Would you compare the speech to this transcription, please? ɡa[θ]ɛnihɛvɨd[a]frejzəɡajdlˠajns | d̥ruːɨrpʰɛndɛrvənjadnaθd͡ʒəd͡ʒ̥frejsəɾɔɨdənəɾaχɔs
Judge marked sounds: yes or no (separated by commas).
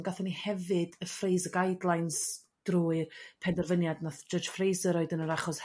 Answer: yes, no